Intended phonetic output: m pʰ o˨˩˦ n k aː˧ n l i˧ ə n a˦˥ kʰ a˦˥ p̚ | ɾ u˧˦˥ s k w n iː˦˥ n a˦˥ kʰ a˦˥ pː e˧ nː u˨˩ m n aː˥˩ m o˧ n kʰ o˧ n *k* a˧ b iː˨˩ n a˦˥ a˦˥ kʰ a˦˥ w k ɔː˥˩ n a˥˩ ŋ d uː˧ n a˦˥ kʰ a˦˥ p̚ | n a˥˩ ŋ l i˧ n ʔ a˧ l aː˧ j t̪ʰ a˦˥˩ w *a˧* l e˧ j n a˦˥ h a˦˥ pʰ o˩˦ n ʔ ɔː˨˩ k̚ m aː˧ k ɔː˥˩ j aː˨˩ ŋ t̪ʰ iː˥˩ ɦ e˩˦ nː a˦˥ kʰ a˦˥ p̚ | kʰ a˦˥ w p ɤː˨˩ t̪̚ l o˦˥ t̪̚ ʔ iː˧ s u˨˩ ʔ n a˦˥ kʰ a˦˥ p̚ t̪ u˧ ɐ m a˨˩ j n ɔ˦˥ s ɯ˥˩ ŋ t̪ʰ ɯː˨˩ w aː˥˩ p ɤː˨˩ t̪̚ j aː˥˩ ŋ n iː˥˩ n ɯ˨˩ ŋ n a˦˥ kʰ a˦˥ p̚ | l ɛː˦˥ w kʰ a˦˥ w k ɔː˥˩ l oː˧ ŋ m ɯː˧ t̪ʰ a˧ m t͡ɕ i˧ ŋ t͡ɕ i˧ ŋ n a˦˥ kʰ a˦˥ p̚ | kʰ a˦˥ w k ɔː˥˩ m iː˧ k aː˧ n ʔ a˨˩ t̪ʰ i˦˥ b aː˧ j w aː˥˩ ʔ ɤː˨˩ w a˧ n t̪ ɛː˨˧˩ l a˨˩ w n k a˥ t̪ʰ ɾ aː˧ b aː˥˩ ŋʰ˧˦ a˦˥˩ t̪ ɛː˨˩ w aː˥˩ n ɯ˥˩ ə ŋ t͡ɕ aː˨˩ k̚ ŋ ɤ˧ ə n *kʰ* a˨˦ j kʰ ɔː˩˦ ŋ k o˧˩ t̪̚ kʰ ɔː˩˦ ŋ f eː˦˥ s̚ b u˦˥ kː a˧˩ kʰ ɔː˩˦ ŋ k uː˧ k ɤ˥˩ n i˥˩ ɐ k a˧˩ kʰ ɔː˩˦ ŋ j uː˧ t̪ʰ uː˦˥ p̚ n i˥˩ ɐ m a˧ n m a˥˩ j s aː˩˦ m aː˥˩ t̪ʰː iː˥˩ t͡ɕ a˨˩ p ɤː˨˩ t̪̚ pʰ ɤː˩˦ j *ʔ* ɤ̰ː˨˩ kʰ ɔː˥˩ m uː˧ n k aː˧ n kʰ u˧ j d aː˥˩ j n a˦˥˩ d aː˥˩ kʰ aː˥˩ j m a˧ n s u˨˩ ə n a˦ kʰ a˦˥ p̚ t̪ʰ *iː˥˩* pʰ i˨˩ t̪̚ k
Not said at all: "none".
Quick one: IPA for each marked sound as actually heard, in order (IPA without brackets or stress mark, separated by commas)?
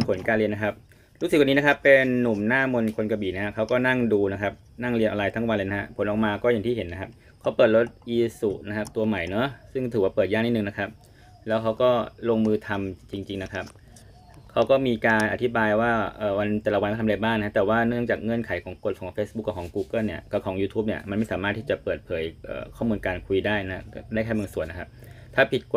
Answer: k, a˧, kʰ, ʔ, aː˥˩